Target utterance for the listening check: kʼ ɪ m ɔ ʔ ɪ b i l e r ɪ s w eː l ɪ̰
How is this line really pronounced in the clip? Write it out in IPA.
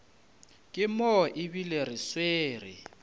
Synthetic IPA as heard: kʼ ɪ m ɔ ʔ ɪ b i l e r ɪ s w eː r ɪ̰

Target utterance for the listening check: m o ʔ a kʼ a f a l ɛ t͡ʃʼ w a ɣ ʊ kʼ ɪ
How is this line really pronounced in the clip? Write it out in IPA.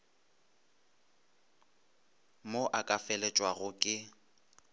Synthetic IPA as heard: m o ʔ a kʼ a f ɛ l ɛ t͡ʃʼ w a ɣ ʊ kʼ ɪ

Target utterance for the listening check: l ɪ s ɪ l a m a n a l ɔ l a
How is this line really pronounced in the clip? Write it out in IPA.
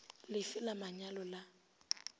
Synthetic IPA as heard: l ɪ f ɪ l a m a ɲ a l ɔ l a

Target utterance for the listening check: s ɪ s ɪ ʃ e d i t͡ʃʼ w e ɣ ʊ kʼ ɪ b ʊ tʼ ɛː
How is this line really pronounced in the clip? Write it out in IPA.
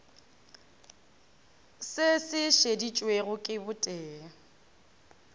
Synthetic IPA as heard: s ɪ s ɪ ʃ e d i t͡ʃʼ w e ɣ ʊ kʼ ɪ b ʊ tʼ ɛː

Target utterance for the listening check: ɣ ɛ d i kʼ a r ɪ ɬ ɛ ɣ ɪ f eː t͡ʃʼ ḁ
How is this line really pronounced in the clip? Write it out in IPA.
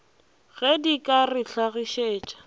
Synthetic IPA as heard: ɣ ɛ d i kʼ a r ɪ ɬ a ɣ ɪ ʃ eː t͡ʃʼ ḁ

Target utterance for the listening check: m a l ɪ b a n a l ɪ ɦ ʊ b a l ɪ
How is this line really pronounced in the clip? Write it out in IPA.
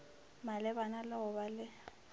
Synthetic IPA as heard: m a l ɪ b a n a l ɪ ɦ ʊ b a l ɪ

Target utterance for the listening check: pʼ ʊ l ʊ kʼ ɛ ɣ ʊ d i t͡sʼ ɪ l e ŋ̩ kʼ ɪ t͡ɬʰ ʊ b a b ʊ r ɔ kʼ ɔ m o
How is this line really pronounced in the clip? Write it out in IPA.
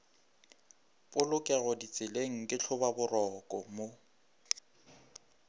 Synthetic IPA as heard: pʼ ʊ l ʊ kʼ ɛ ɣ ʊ d i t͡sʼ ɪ l e ŋ̩ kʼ ɪ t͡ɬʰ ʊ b a b ʊ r ɔ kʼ ɔ m o

